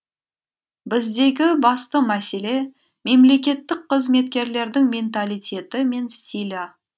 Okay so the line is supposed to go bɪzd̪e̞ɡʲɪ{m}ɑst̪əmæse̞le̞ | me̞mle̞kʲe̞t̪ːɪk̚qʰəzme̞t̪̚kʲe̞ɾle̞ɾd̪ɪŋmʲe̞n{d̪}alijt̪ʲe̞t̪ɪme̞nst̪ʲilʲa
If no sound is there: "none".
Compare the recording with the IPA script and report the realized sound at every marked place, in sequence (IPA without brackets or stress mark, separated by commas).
b, t̪